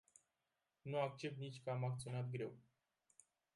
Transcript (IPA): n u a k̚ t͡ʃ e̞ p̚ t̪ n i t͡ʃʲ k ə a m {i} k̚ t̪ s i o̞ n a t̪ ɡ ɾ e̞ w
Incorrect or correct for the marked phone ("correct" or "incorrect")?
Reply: incorrect